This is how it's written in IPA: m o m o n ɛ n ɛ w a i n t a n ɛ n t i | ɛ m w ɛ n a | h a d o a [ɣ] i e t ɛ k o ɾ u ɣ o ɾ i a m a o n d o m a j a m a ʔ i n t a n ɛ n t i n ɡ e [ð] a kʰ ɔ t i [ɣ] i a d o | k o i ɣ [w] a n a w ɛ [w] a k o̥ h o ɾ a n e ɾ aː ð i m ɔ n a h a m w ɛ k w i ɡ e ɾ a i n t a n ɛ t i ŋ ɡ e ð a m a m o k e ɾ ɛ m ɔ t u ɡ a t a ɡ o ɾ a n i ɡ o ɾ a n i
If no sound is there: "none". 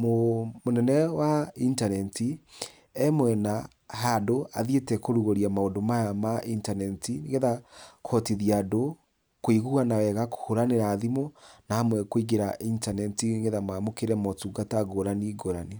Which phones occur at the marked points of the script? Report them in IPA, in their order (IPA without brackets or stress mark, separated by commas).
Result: ð, ð, ð, u, ɣ